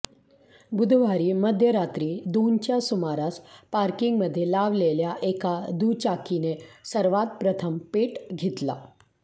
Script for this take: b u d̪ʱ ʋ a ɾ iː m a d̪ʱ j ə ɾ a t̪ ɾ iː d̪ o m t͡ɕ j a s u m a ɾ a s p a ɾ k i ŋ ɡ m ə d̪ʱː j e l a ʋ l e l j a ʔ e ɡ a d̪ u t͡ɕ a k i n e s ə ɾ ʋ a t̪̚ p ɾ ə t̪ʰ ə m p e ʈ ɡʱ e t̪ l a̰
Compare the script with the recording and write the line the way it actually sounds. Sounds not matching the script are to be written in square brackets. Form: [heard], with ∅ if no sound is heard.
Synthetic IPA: b u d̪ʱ ʋ a ɾ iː m [ə] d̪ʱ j ə ɾ a t̪ ɾ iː d̪ o [n] t͡ɕ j a s u m a ɾ a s p a ɾ k i ŋ ɡ m ə d̪ʱː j e l a ʋ l e l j a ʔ e [k] a d̪ u t͡ɕ a k i n e s ə ɾ ʋ a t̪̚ p ɾ ə t̪ʰ ə m p e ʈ ɡʱ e t̪ l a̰